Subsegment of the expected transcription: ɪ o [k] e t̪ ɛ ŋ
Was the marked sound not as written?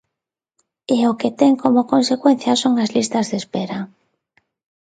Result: no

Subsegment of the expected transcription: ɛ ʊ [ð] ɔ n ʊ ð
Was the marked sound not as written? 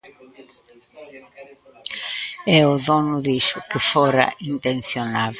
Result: no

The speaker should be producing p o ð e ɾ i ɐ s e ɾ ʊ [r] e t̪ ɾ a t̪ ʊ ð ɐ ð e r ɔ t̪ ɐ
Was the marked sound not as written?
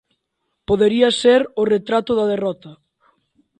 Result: no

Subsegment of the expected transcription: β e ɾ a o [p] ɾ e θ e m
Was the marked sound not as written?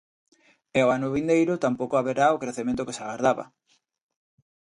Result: yes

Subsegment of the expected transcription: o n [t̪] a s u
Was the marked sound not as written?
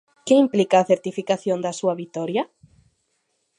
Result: yes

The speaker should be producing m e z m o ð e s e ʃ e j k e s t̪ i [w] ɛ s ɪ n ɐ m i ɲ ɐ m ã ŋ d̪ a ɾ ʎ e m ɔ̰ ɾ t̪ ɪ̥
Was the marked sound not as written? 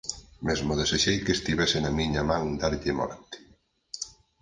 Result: yes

